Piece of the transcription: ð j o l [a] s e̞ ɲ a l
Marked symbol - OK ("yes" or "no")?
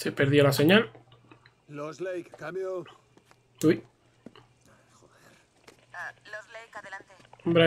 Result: yes